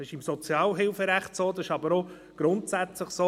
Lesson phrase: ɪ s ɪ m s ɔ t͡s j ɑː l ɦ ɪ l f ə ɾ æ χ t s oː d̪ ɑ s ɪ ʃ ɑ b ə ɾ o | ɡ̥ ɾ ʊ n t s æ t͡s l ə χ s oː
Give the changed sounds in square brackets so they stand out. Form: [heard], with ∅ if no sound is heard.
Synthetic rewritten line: ɪ [ʃ] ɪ m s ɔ t͡s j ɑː l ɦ ɪ l f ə ɾ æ χ t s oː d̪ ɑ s ɪ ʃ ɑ b ə ɾ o | ɡ̥ ɾ ʊ n t s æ t͡s l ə χ s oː